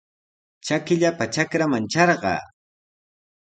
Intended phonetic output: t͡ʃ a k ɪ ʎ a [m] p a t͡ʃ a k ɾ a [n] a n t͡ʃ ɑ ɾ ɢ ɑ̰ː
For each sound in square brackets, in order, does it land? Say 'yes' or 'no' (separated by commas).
no, no